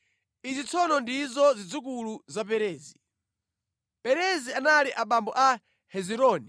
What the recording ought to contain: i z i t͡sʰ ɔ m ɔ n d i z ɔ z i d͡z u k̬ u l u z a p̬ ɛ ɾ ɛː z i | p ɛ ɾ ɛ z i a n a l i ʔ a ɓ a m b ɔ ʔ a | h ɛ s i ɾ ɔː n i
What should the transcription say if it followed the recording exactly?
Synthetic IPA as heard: i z i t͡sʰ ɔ n ɔ n d i z ɔ z i d͡z u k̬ u l u z a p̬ ɛ ɾ ɛː z i | p ɛ ɾ ɛ z i a n a l i ʔ a ɓ a m b ɔ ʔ a | h ɛ z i ɾ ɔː n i